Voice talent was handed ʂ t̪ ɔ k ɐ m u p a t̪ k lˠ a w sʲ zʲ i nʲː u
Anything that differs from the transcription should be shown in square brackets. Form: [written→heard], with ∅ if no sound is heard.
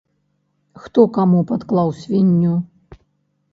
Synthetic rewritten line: [ʂ→x] t̪ ɔ k [ɐ→a] m u p a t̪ k lˠ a w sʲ [zʲ→vʲ] i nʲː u